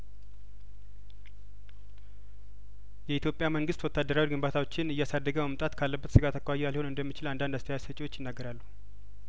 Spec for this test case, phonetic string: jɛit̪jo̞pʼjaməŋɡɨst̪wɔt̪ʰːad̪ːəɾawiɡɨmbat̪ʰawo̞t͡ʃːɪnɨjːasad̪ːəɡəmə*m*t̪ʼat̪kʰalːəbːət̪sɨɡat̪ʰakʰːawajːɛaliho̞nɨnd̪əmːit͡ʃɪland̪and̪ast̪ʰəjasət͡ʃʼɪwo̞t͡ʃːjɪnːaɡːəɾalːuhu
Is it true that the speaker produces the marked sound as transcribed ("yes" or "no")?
yes